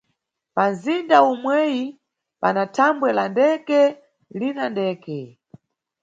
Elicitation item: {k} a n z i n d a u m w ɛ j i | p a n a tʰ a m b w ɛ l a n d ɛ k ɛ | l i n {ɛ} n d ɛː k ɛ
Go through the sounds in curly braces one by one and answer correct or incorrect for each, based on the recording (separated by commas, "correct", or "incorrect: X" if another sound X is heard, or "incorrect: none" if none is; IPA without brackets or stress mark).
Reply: incorrect: p, incorrect: a